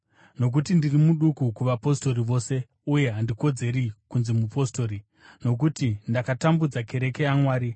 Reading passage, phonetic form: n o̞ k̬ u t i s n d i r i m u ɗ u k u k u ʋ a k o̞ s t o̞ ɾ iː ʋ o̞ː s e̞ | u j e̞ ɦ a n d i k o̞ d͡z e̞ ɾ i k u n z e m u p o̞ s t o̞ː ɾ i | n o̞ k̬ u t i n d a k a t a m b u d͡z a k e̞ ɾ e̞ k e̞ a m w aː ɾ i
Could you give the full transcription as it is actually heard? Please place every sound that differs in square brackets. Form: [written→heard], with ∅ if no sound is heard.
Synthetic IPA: n o̞ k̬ u t i [s→∅] n d i r i m u ɗ u k u k u ʋ a [k→p] o̞ s t o̞ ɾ [iː→i] ʋ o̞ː s e̞ | u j e̞ ɦ a n d i k o̞ d͡z e̞ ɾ i k u n z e m u p o̞ s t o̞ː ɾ i | n o̞ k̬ u t i n d a k a t a m b u d͡z a k e̞ ɾ e̞ k e̞ a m w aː ɾ i

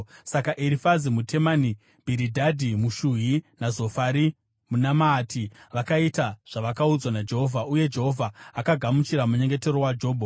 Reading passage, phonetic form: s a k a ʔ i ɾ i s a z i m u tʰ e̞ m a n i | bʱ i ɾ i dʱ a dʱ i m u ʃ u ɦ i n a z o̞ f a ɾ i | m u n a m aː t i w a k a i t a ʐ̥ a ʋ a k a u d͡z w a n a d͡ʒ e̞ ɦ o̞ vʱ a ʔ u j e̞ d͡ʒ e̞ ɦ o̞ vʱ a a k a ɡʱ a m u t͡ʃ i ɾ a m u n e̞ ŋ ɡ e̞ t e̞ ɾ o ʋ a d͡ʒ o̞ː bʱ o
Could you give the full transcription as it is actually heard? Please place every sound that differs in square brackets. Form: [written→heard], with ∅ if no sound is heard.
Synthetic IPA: s a k a ʔ i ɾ i [s→f] a z i m u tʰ e̞ m a n i | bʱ i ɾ i dʱ a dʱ i m u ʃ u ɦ i n a z o̞ f a ɾ i | m u n a m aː t i [w→ʋ] a k a i t a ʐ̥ a ʋ a k a u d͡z w a n a d͡ʒ e̞ ɦ o̞ vʱ a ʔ u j e̞ d͡ʒ e̞ ɦ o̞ vʱ a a k a ɡʱ a m u t͡ʃ i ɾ a m u [n→ɲ] e̞ ŋ ɡ e̞ t e̞ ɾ o [ʋ→w] a d͡ʒ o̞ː bʱ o

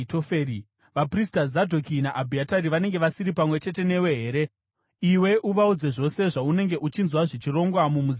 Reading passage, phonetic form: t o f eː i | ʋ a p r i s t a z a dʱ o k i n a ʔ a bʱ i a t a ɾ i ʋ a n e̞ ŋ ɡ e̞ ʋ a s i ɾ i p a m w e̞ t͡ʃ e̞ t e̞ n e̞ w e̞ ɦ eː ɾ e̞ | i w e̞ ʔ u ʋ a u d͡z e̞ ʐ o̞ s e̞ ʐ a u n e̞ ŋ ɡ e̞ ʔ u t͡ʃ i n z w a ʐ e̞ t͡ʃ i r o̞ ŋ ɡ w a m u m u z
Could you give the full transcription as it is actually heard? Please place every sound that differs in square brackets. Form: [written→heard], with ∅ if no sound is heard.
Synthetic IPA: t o f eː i | ʋ a p r i s t a z a dʱ o k i n a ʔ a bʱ i a t a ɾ i ʋ a n e̞ ŋ ɡ e̞ ʋ a s i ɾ i p a m w e̞ t͡ʃ e̞ t e̞ n e̞ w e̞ ɦ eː ɾ e̞ | i w e̞ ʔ u ʋ a u d͡z e̞ ʐ o̞ s e̞ ʐ a u n e̞ ŋ ɡ e̞ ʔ u t͡ʃ i n z w a ʐ e̞ t͡ʃ i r o̞ ŋ ɡ w a m u m u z

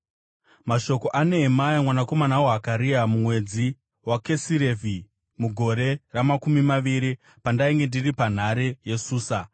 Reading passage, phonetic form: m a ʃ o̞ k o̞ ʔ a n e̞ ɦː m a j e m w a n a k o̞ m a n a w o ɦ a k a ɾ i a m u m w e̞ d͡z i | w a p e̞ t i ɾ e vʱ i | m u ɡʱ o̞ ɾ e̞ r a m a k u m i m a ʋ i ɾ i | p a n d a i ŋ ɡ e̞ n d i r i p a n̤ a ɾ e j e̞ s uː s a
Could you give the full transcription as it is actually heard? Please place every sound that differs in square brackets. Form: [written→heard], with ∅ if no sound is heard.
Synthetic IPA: m a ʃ o̞ k o̞ ʔ a n e̞ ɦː m a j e m w a n a k o̞ m a n a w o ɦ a k a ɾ i a m u m w e̞ d͡z i | w a [p→k] e̞ [t→s] i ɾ e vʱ i | m u ɡʱ o̞ ɾ e̞ r a m a k u m i m a ʋ i ɾ i | p a n d a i ŋ ɡ e̞ n d i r i p a n̤ a ɾ e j e̞ s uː s a

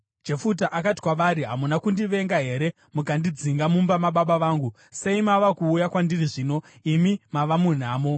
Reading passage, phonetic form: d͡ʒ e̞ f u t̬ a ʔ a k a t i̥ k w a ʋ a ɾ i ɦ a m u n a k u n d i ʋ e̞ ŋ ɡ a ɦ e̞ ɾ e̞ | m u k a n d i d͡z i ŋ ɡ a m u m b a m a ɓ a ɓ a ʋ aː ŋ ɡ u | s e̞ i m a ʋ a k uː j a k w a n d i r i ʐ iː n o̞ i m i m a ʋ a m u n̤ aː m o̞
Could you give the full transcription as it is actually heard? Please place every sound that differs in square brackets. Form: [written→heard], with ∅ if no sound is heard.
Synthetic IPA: d͡ʒ e̞ f u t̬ a ʔ a k a t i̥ k w a ʋ a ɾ i ɦ a m u n a k u n d i ʋ e̞ ŋ ɡ a ɦ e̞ ɾ e̞ | m u k a n d i d͡z i ŋ ɡ a m u m b a m a ɓ a ɓ a ʋ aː ŋ ɡ u | s e̞ i m a ʋ a k uː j a k w a n d i r i ʐ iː n o̞ i m i m a ʋ a m u n̤ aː m o̞

